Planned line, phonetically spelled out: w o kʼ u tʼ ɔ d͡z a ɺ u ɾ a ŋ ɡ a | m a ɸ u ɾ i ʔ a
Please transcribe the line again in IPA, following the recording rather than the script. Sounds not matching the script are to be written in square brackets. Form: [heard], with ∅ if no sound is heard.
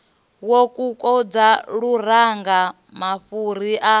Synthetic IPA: w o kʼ u [kʼ] ɔ d͡z a ɺ u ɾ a ŋ ɡ a | m a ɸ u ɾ i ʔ a